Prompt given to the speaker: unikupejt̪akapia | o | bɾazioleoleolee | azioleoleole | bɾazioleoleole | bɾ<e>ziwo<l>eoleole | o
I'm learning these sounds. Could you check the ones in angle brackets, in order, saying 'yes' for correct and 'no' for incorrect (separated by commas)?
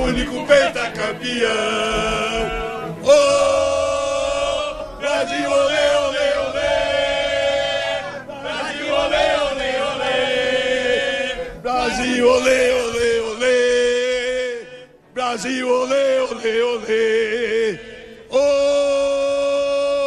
no, yes